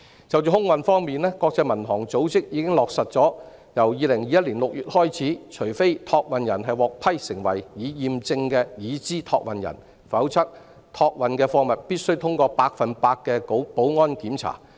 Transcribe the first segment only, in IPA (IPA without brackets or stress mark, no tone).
t͡s